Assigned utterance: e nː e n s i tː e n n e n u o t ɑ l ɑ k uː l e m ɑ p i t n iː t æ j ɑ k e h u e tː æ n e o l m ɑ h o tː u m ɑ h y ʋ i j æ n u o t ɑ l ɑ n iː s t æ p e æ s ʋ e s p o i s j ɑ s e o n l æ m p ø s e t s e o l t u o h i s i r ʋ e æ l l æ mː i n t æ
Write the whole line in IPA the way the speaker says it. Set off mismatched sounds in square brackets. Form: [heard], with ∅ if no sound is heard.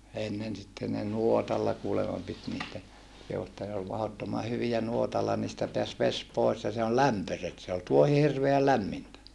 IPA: e nː e n s i tː e n n e n u o t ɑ [lː] ɑ k uː l e m ɑ p i t n iː t æ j ɑ k e h u e tː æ n e o l m ɑ h o tː [o] m ɑ h y ʋ i j æ n u o t ɑ [lː] ɑ n iː s t æ p e æ s ʋ e s p o i s j ɑ s e o n l æ m p ø s e t s e o l t u o h i [h] i r ʋ e æ l l æ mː i n t æ